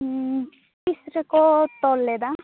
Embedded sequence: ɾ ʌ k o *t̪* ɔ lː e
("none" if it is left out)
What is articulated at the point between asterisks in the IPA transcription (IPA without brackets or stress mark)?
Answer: t̪